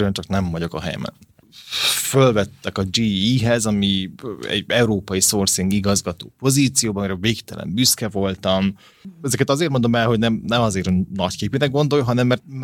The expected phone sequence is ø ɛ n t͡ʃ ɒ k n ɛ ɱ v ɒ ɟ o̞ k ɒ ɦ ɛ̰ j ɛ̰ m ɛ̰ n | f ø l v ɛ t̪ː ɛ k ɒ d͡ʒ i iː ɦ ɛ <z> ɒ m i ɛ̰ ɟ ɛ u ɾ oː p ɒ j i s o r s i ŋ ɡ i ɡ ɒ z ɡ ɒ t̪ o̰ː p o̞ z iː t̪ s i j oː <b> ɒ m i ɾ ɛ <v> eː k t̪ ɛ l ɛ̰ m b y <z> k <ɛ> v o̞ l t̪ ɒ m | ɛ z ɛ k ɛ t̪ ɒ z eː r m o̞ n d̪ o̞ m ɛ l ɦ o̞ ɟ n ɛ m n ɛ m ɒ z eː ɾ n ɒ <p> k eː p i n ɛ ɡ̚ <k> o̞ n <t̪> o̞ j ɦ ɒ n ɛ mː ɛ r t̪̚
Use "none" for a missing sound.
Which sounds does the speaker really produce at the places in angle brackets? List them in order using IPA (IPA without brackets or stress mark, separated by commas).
z, b, v, s, ɛ, c, ɡ, d̪